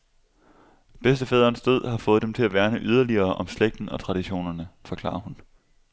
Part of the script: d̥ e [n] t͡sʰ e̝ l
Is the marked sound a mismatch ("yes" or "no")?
yes